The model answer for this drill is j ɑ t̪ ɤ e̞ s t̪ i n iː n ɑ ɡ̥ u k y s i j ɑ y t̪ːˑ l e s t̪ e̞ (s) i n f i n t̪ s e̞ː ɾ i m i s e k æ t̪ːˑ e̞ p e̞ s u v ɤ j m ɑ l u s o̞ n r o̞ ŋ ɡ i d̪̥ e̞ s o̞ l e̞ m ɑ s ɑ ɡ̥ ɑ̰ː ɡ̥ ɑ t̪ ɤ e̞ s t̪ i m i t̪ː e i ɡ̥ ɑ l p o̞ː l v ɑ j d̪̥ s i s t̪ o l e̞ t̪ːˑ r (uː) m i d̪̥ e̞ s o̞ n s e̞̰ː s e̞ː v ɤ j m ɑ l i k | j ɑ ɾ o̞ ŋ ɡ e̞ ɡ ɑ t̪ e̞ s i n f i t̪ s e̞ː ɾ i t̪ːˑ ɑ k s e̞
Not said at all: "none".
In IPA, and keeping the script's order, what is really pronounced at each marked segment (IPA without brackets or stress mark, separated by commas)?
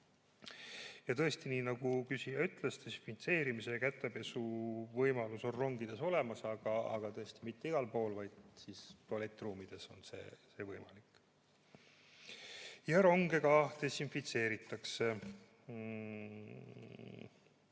s, uː